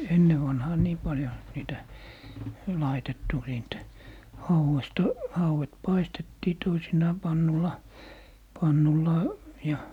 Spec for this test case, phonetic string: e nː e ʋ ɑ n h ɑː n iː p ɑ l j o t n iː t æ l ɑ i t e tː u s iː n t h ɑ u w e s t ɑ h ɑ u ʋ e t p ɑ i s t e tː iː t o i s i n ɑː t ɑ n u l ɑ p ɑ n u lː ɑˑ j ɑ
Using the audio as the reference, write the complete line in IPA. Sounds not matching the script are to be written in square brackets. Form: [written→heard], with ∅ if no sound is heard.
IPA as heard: e nː e ʋ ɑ n h ɑː n iː p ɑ l j o [t→∅] n iː t æ l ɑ i t e tː u s iː n t h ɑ u w e s t ɑ h ɑ u [ʋ→w] e t p ɑ i s t e tː iː t o i s i n ɑː [t→p] ɑ [n→nː] u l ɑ p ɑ [n→nː] u lː ɑˑ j ɑ